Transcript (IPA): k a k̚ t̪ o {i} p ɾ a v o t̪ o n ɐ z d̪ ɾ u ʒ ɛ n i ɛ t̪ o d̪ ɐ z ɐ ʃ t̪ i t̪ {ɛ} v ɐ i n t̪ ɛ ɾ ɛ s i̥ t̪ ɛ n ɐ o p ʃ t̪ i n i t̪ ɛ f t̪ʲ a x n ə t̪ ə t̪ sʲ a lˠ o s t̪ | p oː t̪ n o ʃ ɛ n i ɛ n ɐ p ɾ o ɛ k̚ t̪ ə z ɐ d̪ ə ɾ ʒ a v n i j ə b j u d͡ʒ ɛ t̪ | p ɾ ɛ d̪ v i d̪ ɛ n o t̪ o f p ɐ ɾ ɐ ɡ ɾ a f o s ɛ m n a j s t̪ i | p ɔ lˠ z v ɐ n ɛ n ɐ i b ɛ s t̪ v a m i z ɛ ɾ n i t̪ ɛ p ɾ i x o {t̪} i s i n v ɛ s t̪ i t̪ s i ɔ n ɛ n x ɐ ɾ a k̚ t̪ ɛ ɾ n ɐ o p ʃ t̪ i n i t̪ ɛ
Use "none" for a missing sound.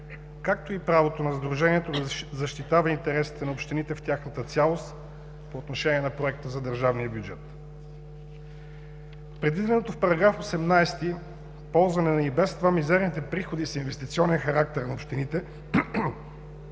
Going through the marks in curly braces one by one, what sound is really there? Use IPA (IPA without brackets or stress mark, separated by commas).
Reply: i, a, d̪